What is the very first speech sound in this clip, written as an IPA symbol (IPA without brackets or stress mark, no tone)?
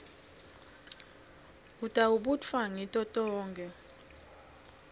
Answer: u